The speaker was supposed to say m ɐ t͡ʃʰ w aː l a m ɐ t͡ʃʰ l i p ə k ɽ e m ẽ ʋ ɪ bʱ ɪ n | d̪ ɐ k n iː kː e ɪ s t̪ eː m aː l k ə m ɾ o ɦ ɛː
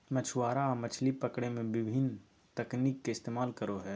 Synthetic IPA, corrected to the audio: m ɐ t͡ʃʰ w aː ɾ a m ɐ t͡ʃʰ l i p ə k ɽ e m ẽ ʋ ɪ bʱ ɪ n | t̪ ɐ k n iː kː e ɪ s t̪ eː m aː l k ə ɾ o ɦ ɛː